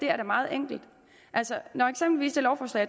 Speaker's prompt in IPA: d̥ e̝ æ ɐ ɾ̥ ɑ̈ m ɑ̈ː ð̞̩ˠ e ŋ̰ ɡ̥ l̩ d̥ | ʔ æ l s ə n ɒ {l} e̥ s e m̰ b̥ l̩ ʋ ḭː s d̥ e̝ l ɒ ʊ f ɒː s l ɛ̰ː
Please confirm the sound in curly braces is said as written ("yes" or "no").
no